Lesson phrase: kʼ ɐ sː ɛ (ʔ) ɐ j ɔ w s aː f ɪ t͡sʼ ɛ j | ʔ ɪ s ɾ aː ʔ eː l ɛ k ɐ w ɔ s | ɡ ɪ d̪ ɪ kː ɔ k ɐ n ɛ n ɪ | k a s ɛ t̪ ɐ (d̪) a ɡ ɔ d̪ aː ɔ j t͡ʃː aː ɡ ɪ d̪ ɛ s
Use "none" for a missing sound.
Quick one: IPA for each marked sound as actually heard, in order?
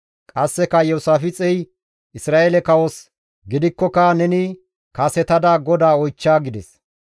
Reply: k, d̪

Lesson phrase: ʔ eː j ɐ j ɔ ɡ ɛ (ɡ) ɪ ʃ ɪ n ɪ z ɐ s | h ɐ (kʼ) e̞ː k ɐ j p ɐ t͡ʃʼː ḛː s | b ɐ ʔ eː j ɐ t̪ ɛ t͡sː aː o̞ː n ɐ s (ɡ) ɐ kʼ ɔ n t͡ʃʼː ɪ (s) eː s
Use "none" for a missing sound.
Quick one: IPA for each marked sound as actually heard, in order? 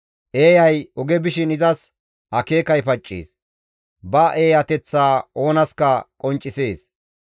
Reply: b, k, k, s

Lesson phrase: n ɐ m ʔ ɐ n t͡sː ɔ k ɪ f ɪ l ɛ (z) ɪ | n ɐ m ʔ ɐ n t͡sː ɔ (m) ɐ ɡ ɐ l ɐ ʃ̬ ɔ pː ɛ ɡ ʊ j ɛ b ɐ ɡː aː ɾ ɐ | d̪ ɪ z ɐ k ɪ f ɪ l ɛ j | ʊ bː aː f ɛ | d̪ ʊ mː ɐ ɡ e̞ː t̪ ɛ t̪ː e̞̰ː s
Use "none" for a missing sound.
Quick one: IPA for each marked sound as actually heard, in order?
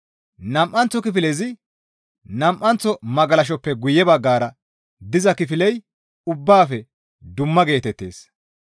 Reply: z, m

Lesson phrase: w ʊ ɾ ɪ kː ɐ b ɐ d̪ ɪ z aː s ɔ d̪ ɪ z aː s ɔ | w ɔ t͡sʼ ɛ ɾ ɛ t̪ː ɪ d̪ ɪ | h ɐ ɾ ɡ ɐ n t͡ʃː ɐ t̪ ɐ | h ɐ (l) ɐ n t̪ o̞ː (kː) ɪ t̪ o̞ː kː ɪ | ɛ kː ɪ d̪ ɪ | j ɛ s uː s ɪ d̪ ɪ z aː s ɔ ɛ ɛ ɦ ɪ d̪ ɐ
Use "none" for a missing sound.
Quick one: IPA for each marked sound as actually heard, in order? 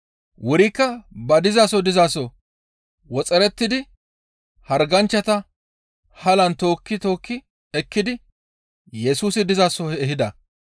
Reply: l, kː

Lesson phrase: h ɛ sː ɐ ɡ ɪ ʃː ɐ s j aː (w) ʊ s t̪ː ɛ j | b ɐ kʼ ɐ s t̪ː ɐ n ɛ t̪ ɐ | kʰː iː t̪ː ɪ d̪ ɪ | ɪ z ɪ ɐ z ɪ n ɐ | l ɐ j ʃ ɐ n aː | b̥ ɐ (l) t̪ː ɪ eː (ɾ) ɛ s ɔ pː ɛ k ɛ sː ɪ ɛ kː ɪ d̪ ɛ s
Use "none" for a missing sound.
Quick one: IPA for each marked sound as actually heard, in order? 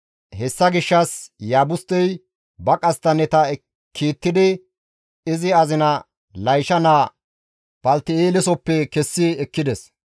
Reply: b, l, l

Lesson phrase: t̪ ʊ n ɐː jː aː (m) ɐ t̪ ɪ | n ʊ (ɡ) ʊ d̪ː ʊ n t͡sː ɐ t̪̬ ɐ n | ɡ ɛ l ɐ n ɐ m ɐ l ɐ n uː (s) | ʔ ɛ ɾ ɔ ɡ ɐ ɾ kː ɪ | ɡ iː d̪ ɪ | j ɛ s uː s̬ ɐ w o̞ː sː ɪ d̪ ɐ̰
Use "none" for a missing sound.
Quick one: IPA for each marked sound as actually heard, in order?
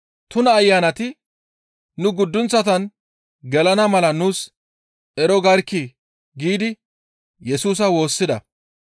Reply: n, ɡ, s

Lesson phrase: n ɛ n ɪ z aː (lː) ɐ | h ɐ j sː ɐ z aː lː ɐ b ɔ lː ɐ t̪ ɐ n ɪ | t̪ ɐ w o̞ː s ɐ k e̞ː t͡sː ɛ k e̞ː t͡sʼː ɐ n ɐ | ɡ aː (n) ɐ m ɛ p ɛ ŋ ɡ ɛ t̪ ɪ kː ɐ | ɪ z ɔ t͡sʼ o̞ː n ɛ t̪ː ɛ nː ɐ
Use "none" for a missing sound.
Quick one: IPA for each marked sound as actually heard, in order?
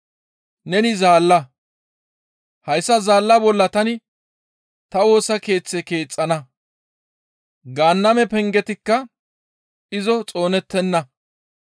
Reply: lː, nː

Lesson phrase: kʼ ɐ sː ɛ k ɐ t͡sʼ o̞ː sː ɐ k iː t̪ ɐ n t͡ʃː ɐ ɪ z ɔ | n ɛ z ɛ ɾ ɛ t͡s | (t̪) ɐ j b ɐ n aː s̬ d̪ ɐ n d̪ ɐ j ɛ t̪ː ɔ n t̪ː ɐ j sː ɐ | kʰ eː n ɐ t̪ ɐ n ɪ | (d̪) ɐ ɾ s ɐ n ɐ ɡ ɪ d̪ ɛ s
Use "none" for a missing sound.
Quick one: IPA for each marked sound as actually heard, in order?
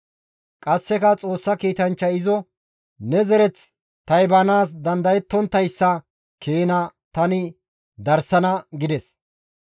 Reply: t̪, d̪

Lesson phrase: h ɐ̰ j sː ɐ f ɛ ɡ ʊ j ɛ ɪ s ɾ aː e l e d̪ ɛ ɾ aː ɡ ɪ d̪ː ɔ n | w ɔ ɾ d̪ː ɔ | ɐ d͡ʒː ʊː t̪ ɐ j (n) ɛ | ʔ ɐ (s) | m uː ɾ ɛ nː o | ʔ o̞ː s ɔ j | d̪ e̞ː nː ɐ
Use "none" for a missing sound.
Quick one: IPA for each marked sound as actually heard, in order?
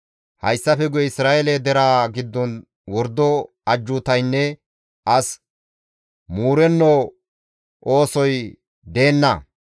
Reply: nː, s

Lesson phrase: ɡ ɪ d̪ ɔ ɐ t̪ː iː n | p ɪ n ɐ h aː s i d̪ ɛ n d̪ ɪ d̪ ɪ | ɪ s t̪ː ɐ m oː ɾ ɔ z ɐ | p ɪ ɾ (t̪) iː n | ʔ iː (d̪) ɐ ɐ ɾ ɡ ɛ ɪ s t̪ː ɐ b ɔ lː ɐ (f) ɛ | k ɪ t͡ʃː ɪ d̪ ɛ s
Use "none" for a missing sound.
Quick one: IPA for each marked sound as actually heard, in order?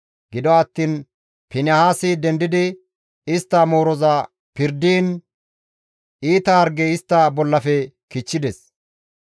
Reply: d̪, t̪, f

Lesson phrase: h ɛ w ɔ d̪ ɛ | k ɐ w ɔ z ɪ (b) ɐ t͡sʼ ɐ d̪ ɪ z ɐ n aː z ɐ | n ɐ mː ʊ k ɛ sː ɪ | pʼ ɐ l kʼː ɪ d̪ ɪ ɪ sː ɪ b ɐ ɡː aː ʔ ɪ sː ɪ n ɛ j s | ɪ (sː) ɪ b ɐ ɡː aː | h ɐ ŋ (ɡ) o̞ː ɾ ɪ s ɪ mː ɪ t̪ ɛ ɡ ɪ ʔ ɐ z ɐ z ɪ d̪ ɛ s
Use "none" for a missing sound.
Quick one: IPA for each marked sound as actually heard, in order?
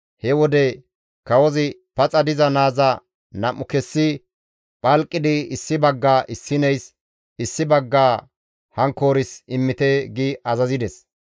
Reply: p, sː, k

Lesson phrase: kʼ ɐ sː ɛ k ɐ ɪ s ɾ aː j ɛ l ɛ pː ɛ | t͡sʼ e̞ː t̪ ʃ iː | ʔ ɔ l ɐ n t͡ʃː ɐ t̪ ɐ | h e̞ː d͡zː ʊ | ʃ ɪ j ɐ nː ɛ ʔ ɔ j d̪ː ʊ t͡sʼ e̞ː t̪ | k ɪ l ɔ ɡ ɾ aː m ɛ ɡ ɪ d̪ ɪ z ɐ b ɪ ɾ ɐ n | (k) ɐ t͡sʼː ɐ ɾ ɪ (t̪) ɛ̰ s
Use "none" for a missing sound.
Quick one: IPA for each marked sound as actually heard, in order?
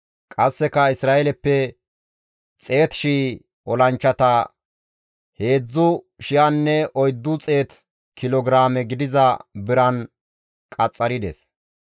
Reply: kʼ, d̪

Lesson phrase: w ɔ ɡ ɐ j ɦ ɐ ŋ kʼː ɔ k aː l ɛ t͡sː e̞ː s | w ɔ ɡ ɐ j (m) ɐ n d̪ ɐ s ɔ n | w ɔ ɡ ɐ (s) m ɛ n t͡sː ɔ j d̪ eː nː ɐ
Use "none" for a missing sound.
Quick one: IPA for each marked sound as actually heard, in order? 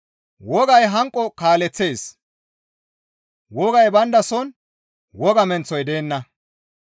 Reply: b, none

